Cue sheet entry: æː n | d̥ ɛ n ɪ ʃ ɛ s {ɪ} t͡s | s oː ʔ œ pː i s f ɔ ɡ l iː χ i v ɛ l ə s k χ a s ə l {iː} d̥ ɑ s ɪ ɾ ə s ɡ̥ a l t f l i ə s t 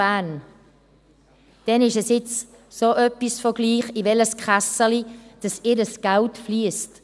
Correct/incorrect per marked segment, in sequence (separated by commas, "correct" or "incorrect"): correct, incorrect